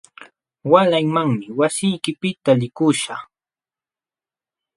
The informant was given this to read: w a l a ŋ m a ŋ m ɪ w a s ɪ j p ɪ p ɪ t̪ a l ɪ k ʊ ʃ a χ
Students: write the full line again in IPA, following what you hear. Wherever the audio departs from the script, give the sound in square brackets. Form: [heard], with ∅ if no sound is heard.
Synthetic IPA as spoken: w a l a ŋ m a ŋ m ɪ w a s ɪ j [k] ɪ p ɪ t̪ a l ɪ k ʊ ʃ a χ